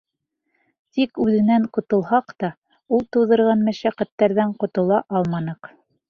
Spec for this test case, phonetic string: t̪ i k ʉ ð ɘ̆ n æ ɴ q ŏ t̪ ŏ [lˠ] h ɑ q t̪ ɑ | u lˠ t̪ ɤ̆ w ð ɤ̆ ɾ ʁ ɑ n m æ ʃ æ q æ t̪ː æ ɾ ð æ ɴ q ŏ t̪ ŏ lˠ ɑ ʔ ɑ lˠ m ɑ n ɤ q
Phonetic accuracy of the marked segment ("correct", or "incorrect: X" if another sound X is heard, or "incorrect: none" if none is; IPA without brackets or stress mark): correct